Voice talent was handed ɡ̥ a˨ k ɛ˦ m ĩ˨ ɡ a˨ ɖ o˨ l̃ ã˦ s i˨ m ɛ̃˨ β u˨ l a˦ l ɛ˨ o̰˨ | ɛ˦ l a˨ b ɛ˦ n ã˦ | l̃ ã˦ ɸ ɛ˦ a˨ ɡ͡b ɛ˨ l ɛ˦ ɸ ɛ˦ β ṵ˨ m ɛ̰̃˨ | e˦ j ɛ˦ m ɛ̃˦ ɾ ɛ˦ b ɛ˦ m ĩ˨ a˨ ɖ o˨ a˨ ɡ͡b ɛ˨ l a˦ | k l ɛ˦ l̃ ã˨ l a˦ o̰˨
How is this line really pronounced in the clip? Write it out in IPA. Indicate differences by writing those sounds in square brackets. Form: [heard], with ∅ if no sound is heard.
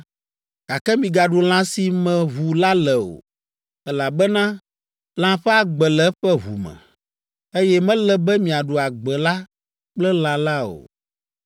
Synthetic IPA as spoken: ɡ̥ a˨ k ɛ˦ m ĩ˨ ɡ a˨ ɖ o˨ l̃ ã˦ s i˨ m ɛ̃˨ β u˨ l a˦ l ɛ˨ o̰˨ | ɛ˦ l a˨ b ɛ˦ n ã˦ | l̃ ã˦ ɸ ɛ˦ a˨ ɡ͡b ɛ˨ l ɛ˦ ɸ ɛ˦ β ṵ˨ m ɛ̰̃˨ | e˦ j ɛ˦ m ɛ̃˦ [l] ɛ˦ b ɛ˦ m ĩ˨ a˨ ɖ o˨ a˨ ɡ͡b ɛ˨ l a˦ | [k͡p] l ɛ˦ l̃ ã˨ l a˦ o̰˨